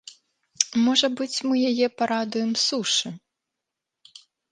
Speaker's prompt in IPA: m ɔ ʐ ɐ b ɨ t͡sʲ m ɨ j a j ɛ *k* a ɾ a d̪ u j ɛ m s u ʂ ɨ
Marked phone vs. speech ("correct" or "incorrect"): incorrect